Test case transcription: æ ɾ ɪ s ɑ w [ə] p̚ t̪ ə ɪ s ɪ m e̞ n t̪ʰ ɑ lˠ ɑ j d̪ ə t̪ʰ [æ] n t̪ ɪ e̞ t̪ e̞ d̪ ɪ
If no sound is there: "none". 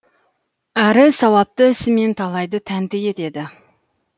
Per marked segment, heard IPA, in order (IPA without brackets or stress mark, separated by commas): ɑ, æ